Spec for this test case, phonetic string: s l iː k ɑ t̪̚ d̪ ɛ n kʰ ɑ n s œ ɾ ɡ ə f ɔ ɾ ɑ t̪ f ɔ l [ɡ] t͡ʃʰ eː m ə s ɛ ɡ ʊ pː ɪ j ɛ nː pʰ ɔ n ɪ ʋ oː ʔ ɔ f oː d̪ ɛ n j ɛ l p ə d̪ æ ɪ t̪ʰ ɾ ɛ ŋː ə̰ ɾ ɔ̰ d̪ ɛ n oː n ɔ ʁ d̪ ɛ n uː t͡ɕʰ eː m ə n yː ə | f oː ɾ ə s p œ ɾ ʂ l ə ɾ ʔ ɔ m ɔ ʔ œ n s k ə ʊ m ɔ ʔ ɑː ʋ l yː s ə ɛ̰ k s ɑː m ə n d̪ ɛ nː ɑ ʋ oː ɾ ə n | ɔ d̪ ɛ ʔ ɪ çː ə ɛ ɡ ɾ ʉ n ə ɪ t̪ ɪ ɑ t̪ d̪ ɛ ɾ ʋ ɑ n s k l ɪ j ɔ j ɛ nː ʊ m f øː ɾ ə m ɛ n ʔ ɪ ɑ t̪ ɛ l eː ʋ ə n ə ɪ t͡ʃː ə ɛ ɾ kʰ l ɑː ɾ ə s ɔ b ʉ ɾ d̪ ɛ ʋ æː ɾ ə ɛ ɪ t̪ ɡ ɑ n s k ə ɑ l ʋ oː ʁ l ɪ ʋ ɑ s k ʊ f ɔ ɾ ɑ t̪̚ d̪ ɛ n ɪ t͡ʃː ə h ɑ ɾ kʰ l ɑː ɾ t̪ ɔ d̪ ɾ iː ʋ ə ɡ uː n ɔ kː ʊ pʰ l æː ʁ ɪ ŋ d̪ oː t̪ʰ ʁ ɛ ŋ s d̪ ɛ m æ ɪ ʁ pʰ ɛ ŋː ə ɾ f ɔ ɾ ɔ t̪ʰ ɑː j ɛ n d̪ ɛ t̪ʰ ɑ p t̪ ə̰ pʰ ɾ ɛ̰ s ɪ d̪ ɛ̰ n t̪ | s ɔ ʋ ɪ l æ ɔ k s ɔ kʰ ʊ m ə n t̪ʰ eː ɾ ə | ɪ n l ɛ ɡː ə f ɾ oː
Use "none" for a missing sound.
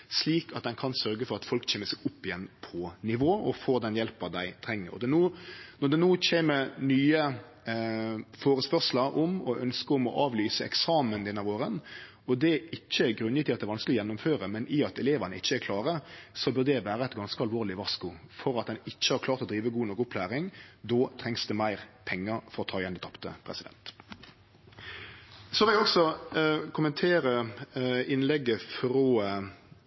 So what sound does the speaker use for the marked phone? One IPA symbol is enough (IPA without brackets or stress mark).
k